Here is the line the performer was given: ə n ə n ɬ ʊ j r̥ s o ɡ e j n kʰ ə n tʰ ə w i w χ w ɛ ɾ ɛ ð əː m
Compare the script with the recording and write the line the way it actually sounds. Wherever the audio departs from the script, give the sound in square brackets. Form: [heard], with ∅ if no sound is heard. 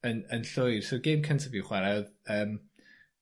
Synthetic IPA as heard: ə n ə n ɬ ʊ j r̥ s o ɡ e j [m] kʰ ə n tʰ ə [v] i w χ w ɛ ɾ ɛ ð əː m